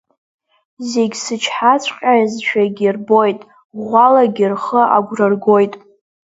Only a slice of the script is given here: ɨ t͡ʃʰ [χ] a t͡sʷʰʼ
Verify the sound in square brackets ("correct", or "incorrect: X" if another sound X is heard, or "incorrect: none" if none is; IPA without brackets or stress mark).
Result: incorrect: ħ